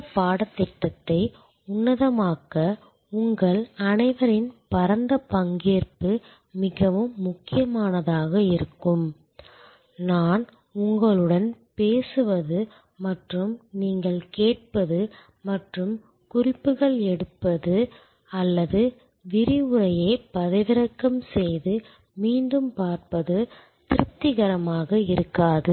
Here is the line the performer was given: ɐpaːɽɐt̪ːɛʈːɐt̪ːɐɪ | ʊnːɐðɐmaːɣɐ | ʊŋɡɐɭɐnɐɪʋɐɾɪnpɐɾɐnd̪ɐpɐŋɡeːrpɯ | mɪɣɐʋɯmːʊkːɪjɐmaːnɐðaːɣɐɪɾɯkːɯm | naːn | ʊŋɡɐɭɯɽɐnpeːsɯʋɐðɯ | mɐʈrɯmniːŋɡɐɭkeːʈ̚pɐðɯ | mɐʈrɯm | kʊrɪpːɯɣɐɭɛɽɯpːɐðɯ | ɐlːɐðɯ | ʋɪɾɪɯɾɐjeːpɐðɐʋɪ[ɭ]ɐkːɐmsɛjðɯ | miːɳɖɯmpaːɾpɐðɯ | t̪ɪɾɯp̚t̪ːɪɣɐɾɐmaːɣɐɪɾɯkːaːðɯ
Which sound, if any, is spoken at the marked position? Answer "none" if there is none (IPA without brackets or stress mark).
ɾ